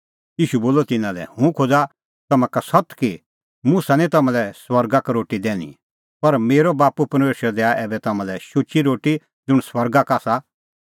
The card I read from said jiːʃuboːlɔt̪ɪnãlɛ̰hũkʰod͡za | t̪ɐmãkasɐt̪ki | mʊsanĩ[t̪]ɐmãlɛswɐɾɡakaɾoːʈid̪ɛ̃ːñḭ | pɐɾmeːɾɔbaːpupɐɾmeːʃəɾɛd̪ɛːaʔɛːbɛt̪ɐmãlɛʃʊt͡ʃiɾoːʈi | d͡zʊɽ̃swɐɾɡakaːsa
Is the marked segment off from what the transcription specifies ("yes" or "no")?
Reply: no